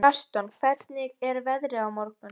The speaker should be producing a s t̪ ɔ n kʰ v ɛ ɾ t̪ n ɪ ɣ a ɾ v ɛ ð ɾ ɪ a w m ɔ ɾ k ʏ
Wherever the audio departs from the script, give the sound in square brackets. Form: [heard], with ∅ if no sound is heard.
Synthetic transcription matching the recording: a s t̪ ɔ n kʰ v ɛ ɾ t̪ n ɪ ɣ [ɛ] ɾ v ɛ ð ɾ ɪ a w m ɔ ɾ k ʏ